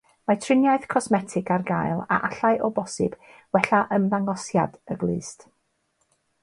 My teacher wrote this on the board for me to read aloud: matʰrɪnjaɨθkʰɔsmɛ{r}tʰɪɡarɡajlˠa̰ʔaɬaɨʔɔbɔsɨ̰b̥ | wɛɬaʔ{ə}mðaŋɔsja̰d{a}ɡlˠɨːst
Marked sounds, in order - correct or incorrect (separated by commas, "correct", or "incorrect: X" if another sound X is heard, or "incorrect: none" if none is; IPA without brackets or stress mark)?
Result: incorrect: none, correct, incorrect: ə